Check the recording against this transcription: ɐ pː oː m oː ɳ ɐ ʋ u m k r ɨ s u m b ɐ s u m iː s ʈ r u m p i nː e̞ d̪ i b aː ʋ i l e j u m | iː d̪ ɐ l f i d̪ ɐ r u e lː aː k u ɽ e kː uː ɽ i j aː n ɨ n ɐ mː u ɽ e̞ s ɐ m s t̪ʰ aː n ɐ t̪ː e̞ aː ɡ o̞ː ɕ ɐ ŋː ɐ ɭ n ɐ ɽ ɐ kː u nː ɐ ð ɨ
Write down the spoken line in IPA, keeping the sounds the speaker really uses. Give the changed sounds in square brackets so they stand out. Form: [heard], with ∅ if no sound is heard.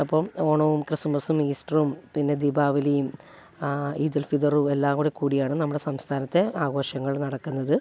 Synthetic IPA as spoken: ɐ pː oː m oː ɳ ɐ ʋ u m k r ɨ s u m b ɐ s u m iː s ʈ r u m p i nː e̞ d̪ i b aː ʋ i l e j u m | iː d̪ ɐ l f i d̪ ɐ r u e lː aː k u ɽ e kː uː ɽ i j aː [ɳ] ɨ n ɐ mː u ɽ e̞ s ɐ m s t̪ʰ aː n ɐ t̪ː e̞ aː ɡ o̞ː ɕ ɐ ŋː ɐ ɭ n ɐ ɽ ɐ kː u nː ɐ ð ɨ